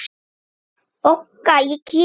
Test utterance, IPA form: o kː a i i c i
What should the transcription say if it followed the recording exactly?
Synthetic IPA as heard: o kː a j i k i